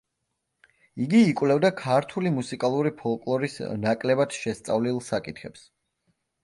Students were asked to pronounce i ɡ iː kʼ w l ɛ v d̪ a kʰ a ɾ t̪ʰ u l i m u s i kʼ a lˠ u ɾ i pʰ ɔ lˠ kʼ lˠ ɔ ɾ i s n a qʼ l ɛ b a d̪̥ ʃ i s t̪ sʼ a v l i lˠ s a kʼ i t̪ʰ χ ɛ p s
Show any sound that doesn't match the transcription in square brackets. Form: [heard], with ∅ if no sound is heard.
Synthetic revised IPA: i ɡ iː kʼ w l ɛ v d̪ a kʰ a ɾ t̪ʰ u l i m u s i kʼ a lˠ u ɾ i pʰ ɔ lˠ kʼ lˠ ɔ ɾ i s n a [kʼ] l ɛ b a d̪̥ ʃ [ɛ] s t̪ sʼ a v l i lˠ s a kʼ i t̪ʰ χ ɛ p s